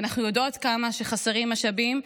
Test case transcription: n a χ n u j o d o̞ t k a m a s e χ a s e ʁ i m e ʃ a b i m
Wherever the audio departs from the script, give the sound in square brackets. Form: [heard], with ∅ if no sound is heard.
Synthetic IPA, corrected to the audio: n a χ n u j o d o̞ t k a m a [ʃ] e χ a s e ʁ i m [a] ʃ a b i m